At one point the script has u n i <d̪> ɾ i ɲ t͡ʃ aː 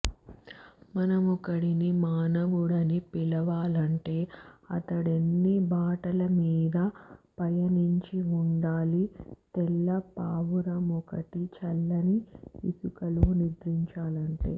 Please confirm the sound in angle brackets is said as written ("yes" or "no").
yes